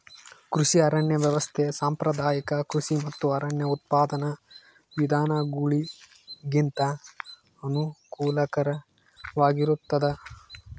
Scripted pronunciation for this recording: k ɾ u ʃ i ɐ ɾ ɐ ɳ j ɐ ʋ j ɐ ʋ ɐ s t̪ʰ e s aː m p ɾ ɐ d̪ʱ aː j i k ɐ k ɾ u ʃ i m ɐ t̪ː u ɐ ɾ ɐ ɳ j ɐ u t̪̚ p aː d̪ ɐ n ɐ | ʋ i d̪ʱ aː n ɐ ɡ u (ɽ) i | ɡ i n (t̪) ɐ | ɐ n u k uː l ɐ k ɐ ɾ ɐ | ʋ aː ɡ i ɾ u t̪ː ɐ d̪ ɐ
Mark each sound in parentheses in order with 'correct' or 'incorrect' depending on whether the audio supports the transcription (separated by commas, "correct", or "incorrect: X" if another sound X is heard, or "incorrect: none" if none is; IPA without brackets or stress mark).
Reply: incorrect: ɭ, correct